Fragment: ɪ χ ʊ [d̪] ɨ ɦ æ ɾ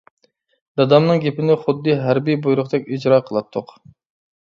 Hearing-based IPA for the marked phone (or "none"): d̪ː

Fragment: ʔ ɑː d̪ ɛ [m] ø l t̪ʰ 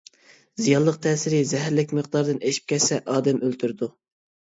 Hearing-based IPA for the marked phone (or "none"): m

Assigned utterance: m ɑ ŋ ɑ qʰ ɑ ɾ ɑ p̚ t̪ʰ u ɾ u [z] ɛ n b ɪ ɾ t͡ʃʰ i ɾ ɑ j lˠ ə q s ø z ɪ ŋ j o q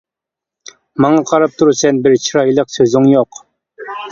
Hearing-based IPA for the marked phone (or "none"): s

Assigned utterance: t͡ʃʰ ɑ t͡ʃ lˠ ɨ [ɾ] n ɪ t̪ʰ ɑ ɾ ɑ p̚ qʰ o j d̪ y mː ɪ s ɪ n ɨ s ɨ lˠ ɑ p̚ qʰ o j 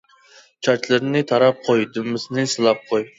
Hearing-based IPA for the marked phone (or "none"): ɾ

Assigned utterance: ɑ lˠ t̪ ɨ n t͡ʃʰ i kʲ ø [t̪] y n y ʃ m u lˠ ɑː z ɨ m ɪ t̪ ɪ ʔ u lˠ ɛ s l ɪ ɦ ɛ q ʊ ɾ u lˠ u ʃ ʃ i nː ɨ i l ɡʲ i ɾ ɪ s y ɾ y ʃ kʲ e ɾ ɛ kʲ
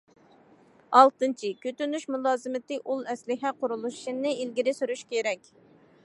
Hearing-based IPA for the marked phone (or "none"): t̪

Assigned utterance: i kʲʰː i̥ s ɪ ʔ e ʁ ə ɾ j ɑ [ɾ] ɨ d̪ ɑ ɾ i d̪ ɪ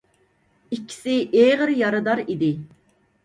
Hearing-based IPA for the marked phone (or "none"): ɾ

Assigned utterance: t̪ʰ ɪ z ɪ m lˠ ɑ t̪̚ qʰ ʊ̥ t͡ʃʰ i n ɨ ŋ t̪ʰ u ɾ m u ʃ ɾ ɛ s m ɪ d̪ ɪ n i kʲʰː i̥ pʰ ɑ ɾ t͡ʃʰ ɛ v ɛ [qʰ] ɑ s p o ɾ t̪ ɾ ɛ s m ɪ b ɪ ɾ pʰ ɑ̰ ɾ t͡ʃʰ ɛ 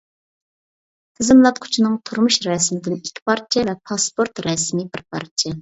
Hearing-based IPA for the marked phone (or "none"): pʰ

